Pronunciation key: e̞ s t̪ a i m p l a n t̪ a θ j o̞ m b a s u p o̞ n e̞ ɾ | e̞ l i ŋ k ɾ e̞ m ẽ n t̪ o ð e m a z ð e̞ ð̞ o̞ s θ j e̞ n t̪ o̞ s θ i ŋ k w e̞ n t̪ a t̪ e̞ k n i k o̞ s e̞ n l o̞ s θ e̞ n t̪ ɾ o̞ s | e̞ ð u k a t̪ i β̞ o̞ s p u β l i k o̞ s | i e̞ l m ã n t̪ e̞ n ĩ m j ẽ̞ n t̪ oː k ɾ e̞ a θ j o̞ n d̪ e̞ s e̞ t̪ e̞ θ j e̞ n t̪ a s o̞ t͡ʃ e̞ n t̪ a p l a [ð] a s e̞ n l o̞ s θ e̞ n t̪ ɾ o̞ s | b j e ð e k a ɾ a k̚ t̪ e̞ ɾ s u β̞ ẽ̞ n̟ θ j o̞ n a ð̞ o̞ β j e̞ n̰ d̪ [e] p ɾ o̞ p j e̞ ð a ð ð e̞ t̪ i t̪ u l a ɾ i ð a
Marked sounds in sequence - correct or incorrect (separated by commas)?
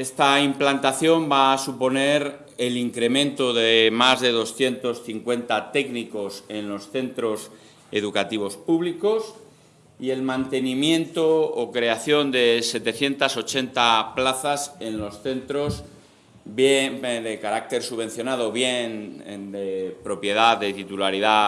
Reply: incorrect, correct